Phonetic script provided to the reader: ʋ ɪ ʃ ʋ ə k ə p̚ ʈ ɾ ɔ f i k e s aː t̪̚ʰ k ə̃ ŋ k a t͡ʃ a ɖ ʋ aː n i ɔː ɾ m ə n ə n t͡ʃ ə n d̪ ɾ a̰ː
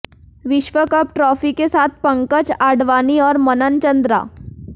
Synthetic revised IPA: ʋ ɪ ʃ ʋ ə k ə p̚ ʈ ɾ ɔ f i k e s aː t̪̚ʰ p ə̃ ŋ k ə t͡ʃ a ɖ ʋ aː n i ɔː ɾ m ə n ə n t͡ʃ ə n d̪ ɾ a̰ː